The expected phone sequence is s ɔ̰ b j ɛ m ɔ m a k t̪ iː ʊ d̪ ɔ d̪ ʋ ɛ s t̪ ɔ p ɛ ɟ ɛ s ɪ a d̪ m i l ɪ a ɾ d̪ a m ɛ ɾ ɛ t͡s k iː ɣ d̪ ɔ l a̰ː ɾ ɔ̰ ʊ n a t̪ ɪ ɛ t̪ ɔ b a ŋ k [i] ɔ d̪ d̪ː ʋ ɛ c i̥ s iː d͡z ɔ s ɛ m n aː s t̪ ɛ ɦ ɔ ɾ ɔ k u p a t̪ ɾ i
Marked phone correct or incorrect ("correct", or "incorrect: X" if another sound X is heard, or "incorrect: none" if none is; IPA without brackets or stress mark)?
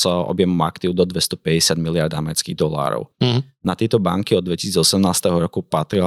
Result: correct